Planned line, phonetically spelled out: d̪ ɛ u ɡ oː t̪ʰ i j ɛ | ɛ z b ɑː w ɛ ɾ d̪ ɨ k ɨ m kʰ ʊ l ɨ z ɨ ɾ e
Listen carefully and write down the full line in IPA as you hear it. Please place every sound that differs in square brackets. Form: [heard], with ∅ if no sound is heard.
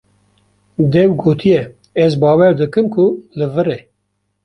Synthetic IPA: d̪ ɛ [w] ɡ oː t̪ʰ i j ɛ | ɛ z b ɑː w ɛ ɾ d̪ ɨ k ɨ m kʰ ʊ l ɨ [v] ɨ ɾ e